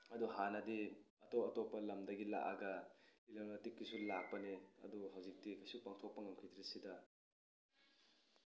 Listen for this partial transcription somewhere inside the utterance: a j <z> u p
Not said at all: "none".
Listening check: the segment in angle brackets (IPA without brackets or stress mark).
s